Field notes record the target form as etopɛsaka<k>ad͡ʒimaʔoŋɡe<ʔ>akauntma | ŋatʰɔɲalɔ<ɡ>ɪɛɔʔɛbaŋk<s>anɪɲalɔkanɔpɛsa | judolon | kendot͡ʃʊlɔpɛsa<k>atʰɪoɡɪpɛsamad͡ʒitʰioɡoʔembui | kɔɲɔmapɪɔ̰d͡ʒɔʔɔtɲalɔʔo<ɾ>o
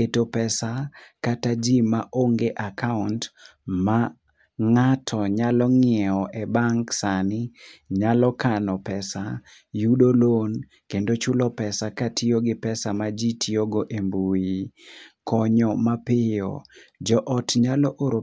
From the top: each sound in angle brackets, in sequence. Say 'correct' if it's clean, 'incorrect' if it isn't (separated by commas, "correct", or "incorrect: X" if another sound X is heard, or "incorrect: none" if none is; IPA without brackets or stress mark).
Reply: incorrect: t, correct, incorrect: ŋ, correct, correct, correct